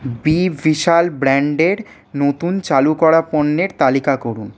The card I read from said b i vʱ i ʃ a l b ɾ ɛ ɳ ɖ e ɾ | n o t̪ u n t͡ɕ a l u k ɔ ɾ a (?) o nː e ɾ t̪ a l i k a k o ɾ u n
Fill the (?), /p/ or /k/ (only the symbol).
p